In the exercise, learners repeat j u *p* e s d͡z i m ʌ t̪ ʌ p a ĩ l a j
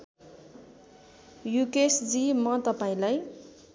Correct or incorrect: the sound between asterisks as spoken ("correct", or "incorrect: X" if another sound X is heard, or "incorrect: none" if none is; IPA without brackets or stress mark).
incorrect: k